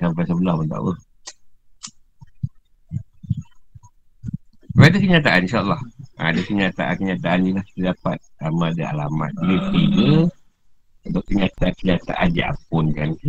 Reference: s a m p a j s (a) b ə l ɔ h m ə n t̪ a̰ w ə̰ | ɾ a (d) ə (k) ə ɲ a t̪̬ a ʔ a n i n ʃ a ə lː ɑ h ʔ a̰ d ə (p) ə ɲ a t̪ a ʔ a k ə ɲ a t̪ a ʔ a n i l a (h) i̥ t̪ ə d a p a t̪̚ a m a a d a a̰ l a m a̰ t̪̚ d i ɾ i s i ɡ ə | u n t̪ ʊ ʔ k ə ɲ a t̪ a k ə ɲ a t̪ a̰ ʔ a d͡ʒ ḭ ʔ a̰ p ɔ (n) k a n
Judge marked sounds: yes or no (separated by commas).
no, yes, yes, no, yes, yes